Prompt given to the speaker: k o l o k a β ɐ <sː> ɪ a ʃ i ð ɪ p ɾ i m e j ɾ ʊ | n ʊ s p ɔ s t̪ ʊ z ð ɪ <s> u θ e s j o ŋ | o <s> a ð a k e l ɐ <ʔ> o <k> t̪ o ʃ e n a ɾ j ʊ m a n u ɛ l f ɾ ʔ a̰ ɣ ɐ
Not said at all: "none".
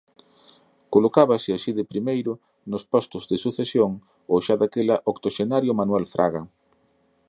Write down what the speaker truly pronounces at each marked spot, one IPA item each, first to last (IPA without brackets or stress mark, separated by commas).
s, s, ʃ, ʔ, k